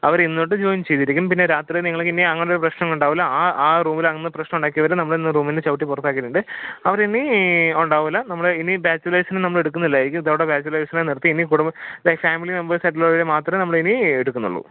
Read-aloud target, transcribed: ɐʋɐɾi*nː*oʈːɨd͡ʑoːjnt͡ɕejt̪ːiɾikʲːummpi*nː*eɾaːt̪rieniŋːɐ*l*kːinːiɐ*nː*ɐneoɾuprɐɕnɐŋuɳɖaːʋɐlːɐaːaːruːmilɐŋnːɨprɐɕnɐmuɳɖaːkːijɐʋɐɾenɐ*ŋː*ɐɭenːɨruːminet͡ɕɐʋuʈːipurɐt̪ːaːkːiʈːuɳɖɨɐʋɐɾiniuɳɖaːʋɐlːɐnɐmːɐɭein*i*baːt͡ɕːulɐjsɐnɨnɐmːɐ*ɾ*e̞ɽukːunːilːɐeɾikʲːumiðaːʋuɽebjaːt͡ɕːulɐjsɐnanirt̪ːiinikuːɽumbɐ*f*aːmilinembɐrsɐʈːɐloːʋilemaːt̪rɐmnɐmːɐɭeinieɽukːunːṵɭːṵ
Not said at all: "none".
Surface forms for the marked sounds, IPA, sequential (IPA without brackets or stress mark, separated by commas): nː, nː, ɭ, ŋː, mː, i, ɭ, f